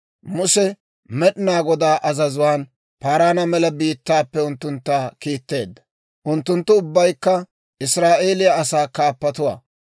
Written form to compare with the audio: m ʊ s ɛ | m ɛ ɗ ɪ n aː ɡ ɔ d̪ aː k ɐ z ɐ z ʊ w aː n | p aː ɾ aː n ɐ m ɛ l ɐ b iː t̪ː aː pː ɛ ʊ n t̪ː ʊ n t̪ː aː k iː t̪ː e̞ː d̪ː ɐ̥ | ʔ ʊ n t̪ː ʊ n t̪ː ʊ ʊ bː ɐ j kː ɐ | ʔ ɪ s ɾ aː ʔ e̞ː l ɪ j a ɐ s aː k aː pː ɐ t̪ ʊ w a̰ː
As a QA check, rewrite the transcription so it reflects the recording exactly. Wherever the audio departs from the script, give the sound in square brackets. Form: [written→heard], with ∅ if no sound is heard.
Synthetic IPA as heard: m ʊ s ɛ | m ɛ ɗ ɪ n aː ɡ ɔ d̪ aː [k→ʔ] ɐ z ɐ z ʊ w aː n | p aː ɾ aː n ɐ m ɛ l ɐ b iː t̪ː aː pː ɛ ʊ n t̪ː ʊ n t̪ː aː k iː t̪ː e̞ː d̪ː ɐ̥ | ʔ ʊ n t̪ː ʊ n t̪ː ʊ ʊ bː ɐ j kː ɐ | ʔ ɪ s ɾ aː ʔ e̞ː l ɪ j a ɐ s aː k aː pː ɐ t̪ ʊ w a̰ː